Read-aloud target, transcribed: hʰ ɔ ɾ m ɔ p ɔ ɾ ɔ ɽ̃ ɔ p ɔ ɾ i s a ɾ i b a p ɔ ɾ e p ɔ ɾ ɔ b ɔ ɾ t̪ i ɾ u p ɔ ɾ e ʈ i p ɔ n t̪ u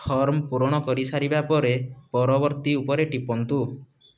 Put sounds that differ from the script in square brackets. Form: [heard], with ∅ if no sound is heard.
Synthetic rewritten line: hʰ ɔ ɾ m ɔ p [u] ɾ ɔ ɽ̃ ɔ [k] ɔ ɾ i s a ɾ i b a p ɔ ɾ e p ɔ ɾ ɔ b ɔ ɾ t̪ i [∅] u p ɔ ɾ e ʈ i p ɔ n t̪ u